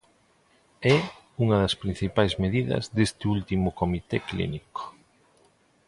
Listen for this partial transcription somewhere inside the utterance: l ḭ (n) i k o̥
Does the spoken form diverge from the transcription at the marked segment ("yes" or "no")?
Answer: no